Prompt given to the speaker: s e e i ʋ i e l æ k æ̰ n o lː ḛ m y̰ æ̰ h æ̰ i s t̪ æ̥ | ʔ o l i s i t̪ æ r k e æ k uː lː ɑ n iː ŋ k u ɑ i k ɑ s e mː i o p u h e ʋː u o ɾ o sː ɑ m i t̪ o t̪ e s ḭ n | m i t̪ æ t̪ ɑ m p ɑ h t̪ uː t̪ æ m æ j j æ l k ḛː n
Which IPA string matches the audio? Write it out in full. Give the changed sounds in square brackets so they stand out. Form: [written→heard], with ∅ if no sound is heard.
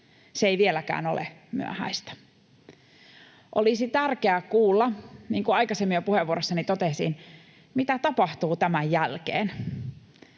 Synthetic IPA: s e e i ʋ i e l æ k [æ̰→æ̰ː] n o [lː→l] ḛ m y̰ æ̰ h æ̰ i s t̪ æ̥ | ʔ o l i s i t̪ æ r k e æ k uː lː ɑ n iː ŋ k u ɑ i k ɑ s e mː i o p u h e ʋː u o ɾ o sː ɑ [m→n] i t̪ o t̪ e s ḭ n | m i t̪ æ t̪ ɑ [m→∅] p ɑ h t̪ uː t̪ æ m æ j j æ l k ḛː n

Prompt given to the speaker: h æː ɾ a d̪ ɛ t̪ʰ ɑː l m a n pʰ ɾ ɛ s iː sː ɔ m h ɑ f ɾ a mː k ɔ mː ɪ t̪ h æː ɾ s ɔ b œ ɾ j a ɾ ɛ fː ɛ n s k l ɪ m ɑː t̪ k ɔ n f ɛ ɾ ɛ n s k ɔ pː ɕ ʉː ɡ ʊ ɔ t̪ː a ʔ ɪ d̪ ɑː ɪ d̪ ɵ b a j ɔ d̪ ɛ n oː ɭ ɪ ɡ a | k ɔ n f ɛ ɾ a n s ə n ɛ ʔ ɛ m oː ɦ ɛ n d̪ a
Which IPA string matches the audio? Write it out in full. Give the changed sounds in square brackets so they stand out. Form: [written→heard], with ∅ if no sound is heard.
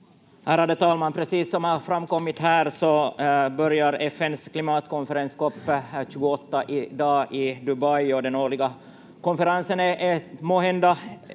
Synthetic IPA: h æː ɾ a d̪ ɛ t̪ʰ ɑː l m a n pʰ ɾ ɛ s iː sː ɔ m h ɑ f ɾ a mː k ɔ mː ɪ t̪ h æː ɾ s ɔ b œ ɾ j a ɾ ɛ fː ɛ n s k l ɪ m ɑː t̪ k ɔ n f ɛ ɾ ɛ n s k ɔ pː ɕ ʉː ɡ ʊ ɔ t̪ː a ʔ ɪ d̪ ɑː ɪ d̪ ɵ b a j ɔ d̪ ɛ n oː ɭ ɪ ɡ a | k ɔ n f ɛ ɾ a n s ə n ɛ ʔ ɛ m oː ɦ ɛ n d̪ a

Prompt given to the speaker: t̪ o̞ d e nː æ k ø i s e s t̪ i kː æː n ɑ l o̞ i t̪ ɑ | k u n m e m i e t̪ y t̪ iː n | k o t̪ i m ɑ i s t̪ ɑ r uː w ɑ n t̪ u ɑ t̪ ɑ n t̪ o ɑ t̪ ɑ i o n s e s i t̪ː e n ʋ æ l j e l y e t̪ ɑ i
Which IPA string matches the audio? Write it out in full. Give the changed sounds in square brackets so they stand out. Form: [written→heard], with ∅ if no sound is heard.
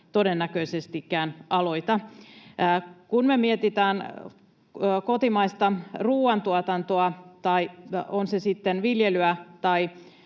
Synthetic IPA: t̪ o̞ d e nː æ k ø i s e s t̪ i kː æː n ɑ l o̞ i t̪ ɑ | k u n m e m i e t̪ [y→i] t̪ [iː→æː] n | k o t̪ i m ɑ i s t̪ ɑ r uː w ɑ n t̪ u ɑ t̪ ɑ n t̪ o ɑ t̪ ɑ i o n s e s i t̪ː e n ʋ [æ→i] l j e l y [e→æ] t̪ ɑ i

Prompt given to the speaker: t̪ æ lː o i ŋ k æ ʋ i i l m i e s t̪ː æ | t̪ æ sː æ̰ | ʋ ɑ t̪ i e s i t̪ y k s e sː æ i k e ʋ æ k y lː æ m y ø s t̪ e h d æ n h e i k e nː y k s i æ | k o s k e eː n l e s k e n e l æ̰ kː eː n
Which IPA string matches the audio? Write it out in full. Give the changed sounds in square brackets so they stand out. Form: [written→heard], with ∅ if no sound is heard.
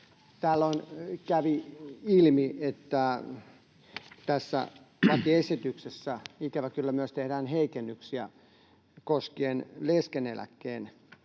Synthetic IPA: t̪ æ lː o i [ŋ→n] k æ ʋ i i l m i e [s→∅] t̪ː æ | t̪ æ sː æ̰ | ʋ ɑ t̪ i e s i t̪ y k s e sː æ i k [e→æ] ʋ æ k y lː æ m y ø s t̪ e h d [æ→æː] n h e i k e nː y k s i æ | k o s k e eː n l e s k e n e l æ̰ kː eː n

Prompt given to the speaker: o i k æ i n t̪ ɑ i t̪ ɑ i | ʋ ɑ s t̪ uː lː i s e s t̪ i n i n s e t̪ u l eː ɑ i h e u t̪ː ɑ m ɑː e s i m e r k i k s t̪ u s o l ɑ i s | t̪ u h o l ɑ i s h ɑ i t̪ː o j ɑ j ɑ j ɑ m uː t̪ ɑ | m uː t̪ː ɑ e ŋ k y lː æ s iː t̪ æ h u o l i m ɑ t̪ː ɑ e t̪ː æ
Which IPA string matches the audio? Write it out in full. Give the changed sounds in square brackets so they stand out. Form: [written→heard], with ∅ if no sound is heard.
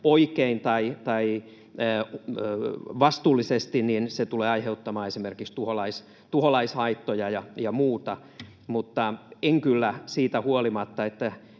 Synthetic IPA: o i k [æ→e] i n t̪ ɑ i t̪ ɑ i | ʋ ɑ s t̪ uː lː i s e s t̪ i n i n s e t̪ u l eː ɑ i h e u t̪ː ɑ m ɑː e s i m e r k i k s t̪ u [s→h] o l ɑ i s | t̪ u h o l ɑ i s h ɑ i t̪ː o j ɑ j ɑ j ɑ m uː t̪ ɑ | m [uː→u] t̪ː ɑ e ŋ k y lː æ s iː t̪ æ h u o l i m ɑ t̪ː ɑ e t̪ː æ

